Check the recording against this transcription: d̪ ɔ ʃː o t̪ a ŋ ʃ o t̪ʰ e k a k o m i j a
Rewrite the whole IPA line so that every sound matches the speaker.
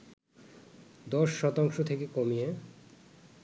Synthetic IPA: d̪ ɔ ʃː ɔ t̪ a ŋ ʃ o t̪ʰ e k e k o m i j e